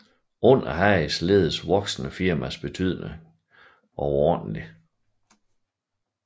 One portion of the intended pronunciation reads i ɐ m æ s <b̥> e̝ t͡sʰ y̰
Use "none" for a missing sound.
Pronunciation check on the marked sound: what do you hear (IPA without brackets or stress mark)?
b̥